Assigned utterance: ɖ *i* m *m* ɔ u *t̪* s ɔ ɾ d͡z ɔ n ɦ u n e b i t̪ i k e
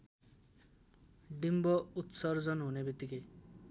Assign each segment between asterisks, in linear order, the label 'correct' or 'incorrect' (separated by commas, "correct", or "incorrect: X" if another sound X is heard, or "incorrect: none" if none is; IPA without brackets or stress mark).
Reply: correct, incorrect: b, correct